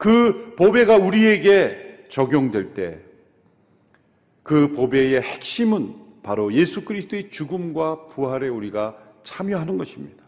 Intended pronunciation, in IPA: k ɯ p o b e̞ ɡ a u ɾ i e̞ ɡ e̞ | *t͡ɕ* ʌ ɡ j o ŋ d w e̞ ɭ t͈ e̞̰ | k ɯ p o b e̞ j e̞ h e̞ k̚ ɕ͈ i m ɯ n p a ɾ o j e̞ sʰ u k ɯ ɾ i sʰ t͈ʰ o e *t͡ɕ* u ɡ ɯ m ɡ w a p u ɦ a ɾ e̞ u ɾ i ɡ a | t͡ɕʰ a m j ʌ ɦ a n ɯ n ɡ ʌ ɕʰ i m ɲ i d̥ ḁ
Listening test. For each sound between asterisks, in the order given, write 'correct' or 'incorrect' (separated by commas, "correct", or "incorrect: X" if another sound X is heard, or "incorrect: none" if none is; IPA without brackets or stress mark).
correct, correct